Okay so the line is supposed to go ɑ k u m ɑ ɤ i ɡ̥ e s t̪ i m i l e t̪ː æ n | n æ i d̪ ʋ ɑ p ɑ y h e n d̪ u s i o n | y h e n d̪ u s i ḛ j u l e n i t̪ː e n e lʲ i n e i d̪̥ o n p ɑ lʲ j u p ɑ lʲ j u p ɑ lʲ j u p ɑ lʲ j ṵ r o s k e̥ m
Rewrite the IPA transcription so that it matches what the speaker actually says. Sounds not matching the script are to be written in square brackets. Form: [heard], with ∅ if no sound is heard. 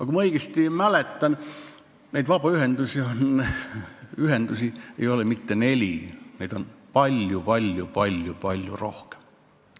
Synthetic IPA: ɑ k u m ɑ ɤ i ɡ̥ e s t̪ i m [æ] l e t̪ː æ n | n æ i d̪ ʋ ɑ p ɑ y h e n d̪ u s i o n | y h e n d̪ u s i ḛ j [o] l e [m] i t̪ː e n e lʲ i n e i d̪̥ o n p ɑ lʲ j u p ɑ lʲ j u p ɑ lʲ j u p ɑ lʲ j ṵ r o [h] k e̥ m